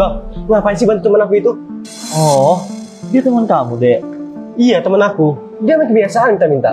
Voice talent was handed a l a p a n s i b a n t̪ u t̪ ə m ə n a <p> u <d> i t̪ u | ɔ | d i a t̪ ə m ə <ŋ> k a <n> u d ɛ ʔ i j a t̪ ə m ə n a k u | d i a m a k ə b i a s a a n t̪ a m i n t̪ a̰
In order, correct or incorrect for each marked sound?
incorrect: k, incorrect: none, incorrect: n, incorrect: m

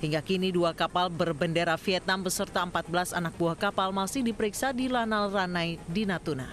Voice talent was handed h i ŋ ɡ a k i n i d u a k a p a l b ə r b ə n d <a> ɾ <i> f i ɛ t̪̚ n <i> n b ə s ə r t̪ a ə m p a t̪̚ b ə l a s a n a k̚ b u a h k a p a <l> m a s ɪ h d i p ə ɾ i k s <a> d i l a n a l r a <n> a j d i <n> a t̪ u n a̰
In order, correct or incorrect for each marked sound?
incorrect: e, incorrect: a, incorrect: a, correct, correct, correct, correct

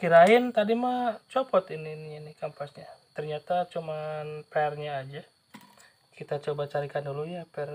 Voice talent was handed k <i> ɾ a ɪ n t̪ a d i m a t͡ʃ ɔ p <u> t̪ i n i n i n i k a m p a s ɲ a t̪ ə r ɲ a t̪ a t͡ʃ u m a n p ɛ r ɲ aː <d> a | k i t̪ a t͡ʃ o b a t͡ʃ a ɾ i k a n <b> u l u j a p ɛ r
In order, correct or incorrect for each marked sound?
correct, incorrect: ɔ, incorrect: d͡ʒ, incorrect: d

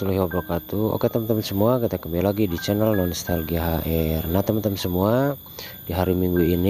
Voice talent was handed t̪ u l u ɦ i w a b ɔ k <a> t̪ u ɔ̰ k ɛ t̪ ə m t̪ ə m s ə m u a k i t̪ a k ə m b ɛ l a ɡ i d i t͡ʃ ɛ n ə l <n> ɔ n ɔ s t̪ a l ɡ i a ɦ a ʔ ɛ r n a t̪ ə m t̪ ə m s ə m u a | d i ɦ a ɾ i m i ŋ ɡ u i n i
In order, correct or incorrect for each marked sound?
correct, correct

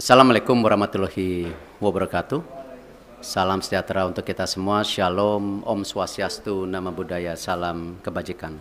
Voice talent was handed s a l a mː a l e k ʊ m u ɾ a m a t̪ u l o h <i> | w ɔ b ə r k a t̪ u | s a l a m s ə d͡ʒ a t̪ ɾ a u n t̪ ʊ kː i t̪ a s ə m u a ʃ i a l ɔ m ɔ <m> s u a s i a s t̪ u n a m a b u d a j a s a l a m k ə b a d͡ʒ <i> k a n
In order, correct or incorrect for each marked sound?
correct, correct, correct

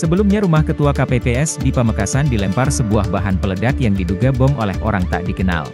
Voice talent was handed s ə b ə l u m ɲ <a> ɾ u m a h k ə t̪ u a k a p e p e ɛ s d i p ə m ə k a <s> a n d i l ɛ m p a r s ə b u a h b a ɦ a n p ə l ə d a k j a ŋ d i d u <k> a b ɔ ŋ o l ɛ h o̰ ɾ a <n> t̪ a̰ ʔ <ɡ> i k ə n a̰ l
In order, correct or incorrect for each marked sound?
correct, correct, incorrect: ɡ, incorrect: ŋ, incorrect: d

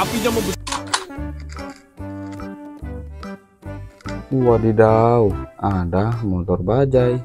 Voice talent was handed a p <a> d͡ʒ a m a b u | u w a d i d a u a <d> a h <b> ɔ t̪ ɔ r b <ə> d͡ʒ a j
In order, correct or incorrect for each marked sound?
incorrect: i, correct, incorrect: m, incorrect: a

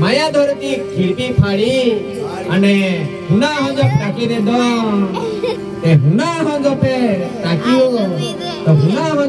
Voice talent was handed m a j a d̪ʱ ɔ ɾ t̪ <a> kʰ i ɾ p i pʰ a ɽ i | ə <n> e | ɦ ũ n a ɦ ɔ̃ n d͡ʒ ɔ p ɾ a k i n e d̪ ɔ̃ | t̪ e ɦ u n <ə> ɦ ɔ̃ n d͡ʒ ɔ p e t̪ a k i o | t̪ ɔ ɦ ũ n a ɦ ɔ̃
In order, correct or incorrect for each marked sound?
incorrect: i, correct, incorrect: a

